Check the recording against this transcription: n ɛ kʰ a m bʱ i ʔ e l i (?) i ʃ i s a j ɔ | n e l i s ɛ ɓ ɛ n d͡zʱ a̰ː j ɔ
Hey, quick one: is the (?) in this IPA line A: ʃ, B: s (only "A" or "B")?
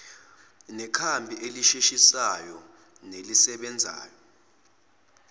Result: A